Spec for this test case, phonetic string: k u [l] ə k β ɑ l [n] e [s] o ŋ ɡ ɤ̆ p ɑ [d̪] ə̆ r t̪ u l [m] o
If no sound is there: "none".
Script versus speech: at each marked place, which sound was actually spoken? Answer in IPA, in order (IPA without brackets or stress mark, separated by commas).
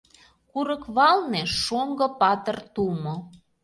ɾ, n, ʃ, t̪, m